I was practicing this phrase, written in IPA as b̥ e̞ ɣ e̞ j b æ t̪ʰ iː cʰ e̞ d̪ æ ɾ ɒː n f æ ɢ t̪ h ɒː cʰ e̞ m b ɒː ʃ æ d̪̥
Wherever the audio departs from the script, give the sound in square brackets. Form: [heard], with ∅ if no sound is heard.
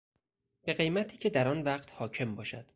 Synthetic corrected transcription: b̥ e̞ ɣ e̞ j [m] æ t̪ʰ iː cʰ e̞ d̪ æ ɾ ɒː n [v] æ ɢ t̪ h ɒː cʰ e̞ m b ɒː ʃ æ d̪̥